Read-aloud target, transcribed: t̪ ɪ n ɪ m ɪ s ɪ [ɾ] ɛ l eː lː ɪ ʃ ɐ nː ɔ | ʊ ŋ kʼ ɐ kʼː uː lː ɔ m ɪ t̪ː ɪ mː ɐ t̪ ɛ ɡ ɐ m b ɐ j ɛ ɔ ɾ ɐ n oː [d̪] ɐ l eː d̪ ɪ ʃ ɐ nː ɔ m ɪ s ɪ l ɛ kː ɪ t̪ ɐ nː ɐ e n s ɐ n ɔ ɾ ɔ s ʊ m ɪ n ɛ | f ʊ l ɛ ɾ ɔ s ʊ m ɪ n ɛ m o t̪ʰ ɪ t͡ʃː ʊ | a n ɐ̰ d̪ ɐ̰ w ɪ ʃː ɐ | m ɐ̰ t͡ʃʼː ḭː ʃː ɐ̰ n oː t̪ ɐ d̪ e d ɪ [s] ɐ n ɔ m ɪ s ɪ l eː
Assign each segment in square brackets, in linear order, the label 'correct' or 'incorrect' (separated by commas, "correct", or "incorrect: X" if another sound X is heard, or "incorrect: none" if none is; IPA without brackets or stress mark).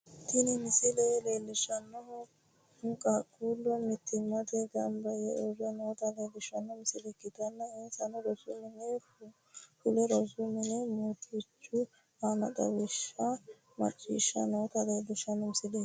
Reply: incorrect: l, incorrect: t̪, incorrect: ʃ